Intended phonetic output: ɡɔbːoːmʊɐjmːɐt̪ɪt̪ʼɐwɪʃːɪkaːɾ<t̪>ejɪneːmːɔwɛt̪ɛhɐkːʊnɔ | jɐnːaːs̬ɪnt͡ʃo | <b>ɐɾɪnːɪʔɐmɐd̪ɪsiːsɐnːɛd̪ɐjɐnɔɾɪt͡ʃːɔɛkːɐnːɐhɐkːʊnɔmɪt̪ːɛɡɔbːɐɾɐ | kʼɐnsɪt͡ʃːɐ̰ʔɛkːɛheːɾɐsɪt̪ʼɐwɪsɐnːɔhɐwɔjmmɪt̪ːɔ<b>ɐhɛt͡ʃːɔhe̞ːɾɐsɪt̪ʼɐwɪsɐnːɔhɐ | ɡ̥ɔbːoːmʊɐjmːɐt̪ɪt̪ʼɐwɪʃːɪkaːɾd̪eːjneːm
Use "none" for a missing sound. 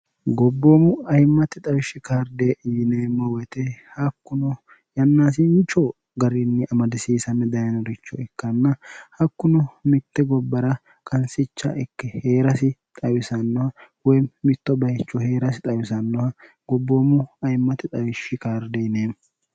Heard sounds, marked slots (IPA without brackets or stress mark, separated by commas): d̪, ɡ, b